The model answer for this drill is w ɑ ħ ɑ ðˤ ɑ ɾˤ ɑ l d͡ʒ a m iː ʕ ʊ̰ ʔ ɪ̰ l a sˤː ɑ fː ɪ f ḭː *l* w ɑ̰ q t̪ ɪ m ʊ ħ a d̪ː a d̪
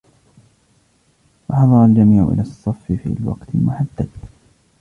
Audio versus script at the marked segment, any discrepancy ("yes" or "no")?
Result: no